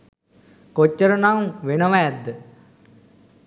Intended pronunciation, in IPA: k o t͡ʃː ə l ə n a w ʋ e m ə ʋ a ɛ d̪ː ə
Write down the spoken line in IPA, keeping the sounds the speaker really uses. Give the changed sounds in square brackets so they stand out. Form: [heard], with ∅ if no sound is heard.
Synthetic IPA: k o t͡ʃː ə [ɾ] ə n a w ʋ e [n] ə ʋ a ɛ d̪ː ə